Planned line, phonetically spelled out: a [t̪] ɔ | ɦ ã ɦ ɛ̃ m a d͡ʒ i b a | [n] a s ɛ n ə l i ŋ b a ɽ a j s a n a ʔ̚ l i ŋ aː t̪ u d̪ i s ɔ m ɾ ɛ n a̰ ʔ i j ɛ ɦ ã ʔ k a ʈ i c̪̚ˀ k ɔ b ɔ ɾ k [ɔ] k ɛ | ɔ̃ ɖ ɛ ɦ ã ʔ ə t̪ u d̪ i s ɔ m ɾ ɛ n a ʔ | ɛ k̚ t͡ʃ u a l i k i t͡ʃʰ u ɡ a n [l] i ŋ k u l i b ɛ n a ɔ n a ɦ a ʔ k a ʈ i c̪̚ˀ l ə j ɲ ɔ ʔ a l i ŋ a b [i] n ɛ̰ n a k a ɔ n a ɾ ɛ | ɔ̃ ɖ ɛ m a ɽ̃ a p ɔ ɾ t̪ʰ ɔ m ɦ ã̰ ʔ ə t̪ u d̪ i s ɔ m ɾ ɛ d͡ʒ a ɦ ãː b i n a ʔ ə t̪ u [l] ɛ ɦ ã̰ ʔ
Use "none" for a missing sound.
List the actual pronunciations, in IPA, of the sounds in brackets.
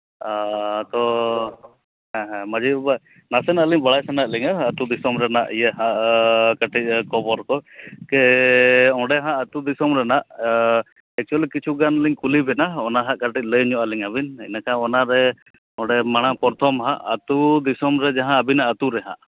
t̪, n, ɔ, l, i, ɾ

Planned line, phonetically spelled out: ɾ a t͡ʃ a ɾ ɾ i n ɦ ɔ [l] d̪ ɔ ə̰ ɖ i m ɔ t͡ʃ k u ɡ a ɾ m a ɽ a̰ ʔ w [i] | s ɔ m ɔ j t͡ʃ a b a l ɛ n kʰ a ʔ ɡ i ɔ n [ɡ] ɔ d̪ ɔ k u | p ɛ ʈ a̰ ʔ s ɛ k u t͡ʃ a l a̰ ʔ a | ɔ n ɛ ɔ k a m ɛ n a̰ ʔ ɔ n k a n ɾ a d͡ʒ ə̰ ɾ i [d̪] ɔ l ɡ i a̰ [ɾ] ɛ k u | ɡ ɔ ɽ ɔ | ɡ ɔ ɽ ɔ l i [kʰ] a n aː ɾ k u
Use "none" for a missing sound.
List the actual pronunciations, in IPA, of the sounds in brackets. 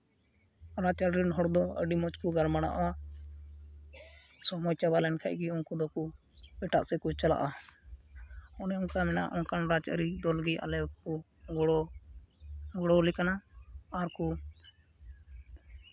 ɽ, a, k, d̪, l, k

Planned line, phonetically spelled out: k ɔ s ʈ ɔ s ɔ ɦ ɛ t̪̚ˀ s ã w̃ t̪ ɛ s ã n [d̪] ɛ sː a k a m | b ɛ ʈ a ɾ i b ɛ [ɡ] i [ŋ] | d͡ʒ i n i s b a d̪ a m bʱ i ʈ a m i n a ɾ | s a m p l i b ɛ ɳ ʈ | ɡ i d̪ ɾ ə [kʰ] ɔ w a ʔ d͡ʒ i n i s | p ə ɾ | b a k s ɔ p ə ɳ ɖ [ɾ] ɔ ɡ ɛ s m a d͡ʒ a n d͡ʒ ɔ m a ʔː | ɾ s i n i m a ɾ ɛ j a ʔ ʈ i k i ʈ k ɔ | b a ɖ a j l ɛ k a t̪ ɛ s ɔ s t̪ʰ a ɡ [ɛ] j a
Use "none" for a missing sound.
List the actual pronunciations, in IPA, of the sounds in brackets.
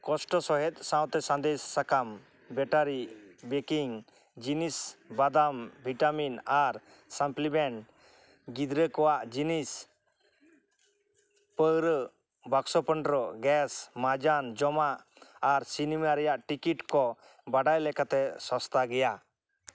d̪, k, ŋ, k, ɾ, ɛ

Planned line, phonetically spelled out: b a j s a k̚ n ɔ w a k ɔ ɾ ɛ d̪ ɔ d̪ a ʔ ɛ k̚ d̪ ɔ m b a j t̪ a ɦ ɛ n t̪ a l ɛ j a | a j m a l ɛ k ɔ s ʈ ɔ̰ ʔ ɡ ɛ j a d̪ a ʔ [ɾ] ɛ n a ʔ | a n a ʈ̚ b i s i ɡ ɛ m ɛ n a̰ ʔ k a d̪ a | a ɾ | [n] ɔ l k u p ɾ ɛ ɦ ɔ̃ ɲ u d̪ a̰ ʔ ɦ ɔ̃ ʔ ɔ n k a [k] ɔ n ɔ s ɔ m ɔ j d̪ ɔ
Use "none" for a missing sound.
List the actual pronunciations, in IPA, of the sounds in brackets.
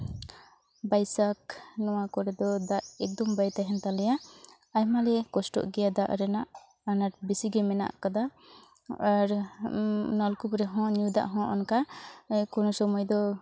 ɾ, n, k

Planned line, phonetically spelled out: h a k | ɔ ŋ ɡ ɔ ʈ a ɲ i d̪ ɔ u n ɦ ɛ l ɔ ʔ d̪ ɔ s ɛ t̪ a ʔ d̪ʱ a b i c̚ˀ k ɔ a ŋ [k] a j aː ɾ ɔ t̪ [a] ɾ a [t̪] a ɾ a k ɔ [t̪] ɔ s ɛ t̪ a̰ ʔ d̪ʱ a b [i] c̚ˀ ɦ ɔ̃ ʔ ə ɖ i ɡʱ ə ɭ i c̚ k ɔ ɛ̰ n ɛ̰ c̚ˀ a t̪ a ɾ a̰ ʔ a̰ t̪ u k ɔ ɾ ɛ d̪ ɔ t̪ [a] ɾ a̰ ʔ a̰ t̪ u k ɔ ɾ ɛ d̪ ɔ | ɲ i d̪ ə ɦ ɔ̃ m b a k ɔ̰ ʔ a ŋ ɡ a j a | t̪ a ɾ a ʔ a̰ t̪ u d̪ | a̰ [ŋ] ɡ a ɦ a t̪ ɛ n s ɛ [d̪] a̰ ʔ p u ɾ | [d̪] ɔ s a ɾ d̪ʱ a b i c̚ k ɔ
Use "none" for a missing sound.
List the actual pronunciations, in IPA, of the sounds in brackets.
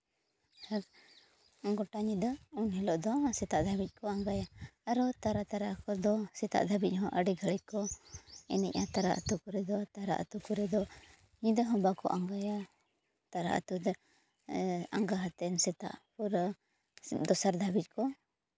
ɡ, a, t̪, d̪, i, a, ŋ, t̪, d̪

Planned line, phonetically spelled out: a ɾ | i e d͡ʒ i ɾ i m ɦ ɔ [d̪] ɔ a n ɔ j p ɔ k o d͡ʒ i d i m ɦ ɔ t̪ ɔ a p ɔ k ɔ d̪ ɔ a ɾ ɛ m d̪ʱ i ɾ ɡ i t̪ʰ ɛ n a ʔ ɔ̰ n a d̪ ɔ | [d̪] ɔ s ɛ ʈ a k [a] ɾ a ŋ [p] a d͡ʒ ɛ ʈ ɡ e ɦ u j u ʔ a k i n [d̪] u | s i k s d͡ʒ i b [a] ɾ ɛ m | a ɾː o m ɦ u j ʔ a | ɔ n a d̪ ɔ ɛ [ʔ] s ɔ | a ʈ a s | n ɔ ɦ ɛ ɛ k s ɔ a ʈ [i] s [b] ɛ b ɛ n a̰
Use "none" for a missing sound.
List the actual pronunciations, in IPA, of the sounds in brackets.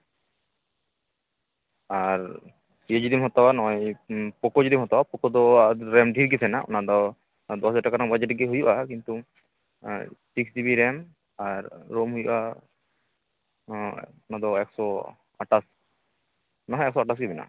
t̪, d̪, a, b, t̪, i, k, a, ɡ

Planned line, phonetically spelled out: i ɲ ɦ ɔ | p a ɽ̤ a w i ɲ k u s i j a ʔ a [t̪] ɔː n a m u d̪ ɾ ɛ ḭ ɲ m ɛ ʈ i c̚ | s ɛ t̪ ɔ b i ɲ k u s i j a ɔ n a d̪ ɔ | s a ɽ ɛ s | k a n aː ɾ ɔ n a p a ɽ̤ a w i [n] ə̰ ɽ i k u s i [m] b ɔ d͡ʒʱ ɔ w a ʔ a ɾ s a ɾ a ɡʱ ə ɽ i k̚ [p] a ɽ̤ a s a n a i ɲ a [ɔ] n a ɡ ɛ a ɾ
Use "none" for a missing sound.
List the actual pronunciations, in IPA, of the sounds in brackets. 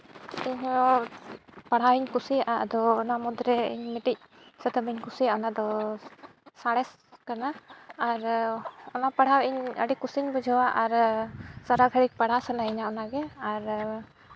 d̪, ɲ, ɲ, p, ɔ

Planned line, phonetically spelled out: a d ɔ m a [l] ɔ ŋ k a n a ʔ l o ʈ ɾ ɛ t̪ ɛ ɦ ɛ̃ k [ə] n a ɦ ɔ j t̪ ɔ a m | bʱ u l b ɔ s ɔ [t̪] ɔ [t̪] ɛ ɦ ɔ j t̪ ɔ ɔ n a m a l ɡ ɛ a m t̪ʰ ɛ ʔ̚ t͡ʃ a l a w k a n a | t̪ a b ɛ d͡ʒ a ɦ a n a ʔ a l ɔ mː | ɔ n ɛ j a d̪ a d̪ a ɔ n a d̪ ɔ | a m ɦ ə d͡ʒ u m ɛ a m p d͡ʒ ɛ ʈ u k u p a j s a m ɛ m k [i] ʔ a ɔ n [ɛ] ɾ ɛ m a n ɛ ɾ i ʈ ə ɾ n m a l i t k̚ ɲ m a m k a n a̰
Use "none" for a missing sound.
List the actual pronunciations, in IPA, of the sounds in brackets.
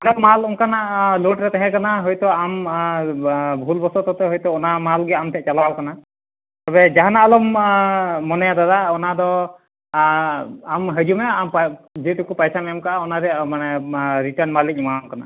l, a, t̪, t̪, a, a

